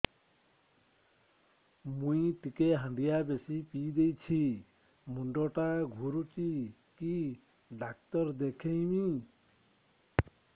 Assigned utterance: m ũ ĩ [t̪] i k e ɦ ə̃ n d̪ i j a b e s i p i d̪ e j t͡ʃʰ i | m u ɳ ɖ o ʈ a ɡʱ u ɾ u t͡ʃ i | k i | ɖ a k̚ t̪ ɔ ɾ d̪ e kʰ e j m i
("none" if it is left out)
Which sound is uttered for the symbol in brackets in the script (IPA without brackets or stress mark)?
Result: t̪